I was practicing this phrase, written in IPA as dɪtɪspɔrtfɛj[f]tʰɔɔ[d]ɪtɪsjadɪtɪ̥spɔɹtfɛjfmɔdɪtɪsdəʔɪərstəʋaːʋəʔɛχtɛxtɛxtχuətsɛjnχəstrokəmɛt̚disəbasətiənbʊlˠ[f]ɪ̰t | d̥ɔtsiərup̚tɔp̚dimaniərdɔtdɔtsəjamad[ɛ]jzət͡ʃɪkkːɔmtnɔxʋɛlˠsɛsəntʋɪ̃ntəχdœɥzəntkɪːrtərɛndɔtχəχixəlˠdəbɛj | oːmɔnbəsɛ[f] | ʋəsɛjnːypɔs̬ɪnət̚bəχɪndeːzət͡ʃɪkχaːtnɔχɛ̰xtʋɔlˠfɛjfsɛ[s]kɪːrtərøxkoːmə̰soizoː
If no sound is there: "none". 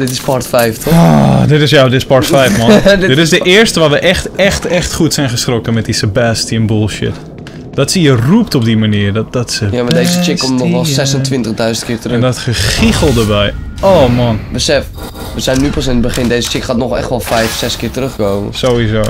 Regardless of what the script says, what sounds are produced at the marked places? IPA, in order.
f, d, ʃ, e, f, s

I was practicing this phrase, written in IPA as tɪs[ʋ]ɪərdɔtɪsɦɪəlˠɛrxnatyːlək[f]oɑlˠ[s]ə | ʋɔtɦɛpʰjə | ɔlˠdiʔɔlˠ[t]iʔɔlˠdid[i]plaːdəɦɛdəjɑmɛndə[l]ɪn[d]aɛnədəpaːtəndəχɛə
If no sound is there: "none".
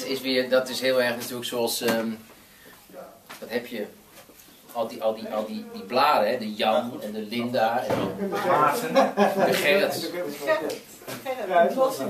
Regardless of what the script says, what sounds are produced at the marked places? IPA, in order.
ʋ, s, s, d, i, l, d

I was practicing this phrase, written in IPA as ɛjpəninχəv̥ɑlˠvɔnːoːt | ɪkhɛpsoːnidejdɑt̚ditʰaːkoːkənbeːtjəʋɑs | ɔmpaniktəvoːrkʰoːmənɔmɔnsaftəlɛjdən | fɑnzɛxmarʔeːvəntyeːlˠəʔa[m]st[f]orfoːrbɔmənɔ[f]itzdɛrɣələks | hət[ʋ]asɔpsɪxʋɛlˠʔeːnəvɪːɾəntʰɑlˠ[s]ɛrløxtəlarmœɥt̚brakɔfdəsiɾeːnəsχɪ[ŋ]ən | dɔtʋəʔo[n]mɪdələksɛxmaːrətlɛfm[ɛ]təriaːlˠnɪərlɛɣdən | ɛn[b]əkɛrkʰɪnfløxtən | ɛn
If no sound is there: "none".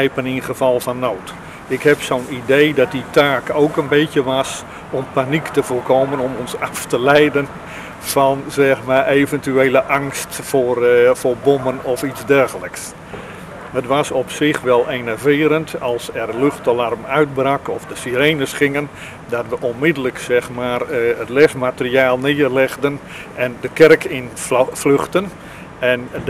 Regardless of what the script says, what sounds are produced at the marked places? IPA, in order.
ŋ, f, f, ʋ, s, ŋ, n, a, d

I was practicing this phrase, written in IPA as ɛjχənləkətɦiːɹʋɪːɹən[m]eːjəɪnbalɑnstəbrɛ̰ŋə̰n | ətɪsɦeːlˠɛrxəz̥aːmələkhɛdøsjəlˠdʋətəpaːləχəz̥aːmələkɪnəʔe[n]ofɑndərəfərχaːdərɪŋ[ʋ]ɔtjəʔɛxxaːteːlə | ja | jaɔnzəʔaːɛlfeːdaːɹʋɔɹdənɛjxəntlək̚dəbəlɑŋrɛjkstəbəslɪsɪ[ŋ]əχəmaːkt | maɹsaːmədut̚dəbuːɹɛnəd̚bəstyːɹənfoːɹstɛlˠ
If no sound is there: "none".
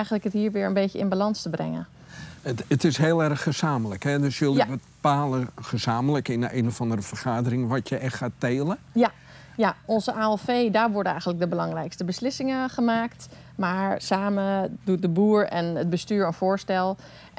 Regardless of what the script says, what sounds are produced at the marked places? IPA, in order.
b, n, ʋ, ŋ

